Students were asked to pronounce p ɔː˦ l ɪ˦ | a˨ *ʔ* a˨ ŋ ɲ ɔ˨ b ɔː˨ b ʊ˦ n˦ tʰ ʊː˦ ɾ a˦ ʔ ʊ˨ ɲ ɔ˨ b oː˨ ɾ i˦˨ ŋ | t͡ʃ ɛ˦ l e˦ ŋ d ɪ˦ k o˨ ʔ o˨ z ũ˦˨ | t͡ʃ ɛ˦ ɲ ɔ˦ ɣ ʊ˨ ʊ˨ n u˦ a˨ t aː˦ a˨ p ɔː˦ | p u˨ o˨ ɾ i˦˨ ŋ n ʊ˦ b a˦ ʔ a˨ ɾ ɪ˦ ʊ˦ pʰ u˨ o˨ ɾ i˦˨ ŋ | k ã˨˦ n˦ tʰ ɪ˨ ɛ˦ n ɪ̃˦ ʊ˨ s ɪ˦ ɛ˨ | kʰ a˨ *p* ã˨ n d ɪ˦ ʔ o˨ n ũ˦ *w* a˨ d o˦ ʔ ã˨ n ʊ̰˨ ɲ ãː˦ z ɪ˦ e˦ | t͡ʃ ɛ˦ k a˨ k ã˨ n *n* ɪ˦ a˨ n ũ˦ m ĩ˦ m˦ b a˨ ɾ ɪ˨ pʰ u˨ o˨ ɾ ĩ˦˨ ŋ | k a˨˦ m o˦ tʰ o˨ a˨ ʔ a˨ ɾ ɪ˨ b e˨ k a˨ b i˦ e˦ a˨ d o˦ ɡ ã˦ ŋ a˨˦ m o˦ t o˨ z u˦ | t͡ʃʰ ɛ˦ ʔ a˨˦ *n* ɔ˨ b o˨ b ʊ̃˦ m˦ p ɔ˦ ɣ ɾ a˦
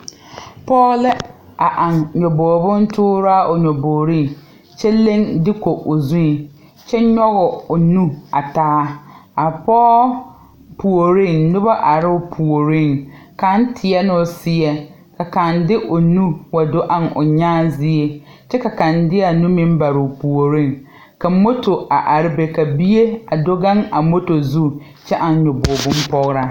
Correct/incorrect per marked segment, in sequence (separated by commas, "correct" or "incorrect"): correct, incorrect, correct, incorrect, incorrect